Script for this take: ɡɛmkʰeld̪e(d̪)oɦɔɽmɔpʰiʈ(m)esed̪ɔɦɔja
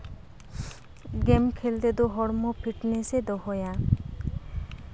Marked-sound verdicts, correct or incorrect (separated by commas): correct, incorrect